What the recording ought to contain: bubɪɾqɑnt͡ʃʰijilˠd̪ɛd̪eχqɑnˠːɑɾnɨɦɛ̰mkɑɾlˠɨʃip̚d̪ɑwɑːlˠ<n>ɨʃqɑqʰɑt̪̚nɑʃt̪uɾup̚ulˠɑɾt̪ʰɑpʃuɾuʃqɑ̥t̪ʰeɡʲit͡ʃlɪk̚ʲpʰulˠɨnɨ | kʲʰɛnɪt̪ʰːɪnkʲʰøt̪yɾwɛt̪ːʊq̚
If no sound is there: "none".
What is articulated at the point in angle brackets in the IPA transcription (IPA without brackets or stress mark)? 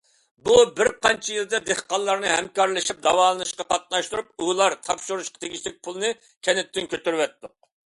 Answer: n